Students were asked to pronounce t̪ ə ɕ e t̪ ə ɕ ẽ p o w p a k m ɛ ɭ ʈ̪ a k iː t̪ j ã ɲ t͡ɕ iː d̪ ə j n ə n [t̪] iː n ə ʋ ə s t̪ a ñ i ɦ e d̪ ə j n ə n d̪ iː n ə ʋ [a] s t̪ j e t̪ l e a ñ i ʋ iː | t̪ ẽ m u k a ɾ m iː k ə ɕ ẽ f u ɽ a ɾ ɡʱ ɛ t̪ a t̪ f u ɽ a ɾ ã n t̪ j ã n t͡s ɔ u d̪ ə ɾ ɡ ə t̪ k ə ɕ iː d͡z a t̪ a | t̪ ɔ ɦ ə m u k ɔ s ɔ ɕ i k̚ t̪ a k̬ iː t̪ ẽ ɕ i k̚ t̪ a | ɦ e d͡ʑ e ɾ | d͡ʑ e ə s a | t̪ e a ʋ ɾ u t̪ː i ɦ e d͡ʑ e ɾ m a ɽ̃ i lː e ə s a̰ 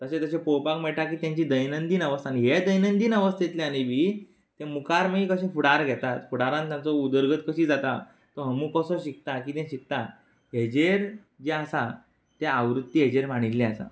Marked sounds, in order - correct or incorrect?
incorrect: d̪, incorrect: ə

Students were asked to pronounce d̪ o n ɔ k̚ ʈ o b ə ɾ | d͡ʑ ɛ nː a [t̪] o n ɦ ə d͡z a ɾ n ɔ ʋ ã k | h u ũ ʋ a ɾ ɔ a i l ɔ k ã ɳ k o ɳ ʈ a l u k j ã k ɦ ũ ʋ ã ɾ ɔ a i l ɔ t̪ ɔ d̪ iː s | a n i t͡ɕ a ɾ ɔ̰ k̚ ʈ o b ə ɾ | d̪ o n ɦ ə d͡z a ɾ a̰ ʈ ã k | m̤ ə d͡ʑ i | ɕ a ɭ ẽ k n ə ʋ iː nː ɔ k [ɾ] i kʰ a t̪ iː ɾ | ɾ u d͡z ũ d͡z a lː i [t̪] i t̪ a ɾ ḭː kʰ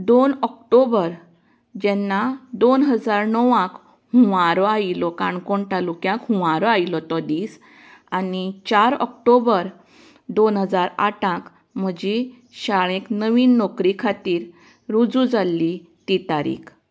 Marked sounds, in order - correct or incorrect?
incorrect: d̪, correct, correct

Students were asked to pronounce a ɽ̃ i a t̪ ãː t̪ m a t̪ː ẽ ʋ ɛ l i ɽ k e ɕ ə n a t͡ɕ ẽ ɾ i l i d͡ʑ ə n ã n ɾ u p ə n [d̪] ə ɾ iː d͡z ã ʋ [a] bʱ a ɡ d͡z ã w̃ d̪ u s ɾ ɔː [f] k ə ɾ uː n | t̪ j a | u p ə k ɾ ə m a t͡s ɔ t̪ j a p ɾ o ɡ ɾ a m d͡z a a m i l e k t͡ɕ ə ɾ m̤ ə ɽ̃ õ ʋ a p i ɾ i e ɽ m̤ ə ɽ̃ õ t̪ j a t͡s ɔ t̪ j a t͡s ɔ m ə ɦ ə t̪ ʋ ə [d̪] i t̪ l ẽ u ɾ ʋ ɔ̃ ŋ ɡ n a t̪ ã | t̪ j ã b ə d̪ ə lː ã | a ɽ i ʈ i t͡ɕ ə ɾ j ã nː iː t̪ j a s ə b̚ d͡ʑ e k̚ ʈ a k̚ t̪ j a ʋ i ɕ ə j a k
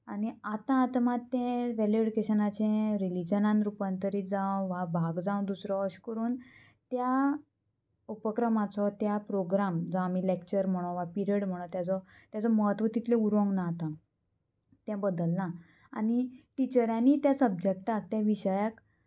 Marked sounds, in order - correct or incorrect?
incorrect: t̪, correct, incorrect: ɕ, incorrect: t̪

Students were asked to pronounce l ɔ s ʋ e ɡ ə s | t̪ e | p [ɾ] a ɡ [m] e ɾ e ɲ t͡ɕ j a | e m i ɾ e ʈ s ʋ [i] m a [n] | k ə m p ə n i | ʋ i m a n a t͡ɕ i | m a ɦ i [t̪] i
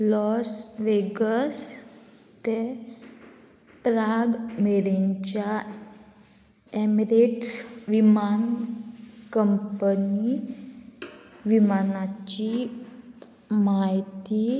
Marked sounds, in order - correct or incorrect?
correct, correct, correct, correct, correct

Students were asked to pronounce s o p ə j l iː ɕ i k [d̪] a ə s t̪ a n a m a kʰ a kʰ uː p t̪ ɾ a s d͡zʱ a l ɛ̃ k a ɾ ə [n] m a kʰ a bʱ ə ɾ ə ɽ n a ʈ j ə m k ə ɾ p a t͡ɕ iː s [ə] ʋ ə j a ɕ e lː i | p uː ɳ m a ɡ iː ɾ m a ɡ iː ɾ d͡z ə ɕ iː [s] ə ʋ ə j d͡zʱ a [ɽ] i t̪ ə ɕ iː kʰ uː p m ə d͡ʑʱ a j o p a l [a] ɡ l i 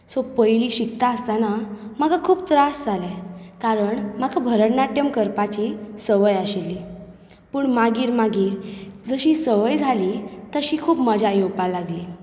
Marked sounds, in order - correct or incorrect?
incorrect: t̪, incorrect: ɳ, correct, correct, incorrect: l, correct

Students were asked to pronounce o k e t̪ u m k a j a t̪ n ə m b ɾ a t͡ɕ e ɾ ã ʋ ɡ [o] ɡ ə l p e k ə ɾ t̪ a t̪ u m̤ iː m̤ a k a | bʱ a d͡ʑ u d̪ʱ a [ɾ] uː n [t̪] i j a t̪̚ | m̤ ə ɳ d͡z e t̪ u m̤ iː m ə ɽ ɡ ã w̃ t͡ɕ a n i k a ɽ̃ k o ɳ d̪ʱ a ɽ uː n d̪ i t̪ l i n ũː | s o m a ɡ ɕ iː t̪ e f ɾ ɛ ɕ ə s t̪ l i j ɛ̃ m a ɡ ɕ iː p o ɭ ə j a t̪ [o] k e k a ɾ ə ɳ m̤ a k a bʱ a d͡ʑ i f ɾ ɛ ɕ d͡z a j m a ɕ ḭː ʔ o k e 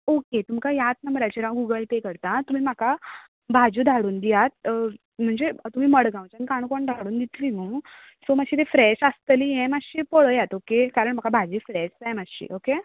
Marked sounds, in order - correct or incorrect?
incorrect: u, incorrect: ɽ, incorrect: d̪, correct

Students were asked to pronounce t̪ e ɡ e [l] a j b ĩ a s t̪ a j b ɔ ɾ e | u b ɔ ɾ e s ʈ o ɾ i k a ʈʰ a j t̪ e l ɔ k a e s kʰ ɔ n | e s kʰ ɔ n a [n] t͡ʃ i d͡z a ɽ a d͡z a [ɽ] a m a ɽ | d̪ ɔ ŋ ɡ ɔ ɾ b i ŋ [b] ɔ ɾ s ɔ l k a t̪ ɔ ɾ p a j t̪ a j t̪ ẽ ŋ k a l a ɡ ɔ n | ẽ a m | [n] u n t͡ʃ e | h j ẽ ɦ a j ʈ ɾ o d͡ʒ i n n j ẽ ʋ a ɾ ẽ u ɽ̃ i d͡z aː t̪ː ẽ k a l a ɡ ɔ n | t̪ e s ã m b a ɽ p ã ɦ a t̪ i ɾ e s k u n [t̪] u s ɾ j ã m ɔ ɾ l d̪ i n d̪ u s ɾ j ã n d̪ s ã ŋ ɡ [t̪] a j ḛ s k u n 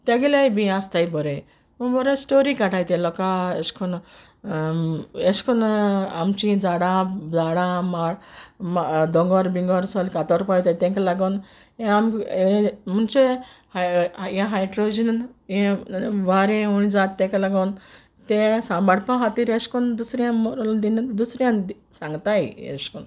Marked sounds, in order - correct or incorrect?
correct, incorrect: m, correct, incorrect: ɡ, incorrect: m, incorrect: d̪, correct

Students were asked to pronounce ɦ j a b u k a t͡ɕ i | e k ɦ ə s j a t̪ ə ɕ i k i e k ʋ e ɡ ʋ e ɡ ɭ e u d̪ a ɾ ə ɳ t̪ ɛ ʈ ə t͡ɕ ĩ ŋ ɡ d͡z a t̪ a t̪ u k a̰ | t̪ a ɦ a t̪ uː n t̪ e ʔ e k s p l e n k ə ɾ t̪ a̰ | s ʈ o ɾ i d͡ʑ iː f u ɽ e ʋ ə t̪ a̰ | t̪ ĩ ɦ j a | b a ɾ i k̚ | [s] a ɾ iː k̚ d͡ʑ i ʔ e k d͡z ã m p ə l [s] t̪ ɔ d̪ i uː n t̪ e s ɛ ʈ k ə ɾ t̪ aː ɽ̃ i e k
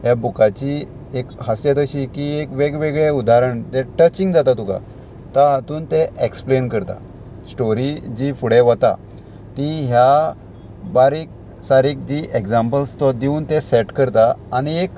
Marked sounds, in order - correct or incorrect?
correct, correct

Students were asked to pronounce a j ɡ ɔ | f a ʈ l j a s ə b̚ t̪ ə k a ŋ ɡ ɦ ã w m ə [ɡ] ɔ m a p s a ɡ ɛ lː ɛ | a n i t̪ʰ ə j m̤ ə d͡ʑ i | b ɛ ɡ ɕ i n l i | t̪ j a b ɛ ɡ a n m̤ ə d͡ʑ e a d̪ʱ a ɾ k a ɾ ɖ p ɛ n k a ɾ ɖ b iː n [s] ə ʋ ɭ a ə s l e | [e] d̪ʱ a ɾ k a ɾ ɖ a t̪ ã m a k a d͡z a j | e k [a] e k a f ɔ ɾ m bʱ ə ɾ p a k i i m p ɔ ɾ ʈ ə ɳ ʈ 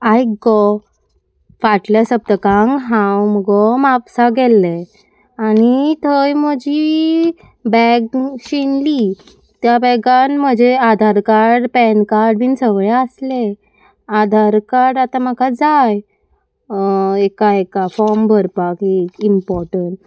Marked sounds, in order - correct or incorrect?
correct, correct, incorrect: a, correct

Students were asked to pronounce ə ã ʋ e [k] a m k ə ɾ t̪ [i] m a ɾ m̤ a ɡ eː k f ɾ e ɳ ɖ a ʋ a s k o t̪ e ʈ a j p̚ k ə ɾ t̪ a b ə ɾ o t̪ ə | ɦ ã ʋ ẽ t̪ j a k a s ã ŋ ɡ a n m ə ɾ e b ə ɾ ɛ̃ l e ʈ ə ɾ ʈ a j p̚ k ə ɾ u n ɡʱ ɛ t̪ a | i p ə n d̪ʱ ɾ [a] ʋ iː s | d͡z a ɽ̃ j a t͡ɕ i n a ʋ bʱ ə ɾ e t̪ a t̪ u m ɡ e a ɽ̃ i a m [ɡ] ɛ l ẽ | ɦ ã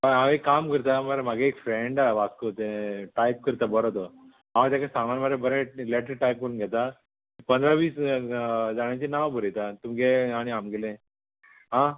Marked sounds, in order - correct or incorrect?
correct, incorrect: a, correct, correct

